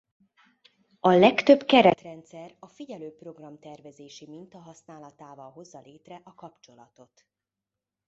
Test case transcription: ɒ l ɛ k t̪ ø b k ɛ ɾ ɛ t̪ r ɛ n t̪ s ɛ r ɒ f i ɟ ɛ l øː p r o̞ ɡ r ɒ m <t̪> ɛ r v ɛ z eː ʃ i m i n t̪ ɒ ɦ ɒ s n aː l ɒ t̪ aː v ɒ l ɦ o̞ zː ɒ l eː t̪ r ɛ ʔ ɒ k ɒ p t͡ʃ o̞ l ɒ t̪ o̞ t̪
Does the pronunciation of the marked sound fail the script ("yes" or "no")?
no